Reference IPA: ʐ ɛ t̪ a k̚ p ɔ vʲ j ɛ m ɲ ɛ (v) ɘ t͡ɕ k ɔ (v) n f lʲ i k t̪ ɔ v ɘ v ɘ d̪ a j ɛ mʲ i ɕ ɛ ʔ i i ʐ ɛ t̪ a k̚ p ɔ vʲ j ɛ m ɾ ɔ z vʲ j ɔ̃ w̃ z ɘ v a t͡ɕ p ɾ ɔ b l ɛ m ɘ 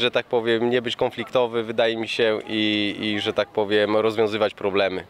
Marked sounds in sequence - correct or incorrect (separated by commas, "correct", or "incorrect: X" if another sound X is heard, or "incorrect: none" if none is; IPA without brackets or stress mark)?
incorrect: b, incorrect: none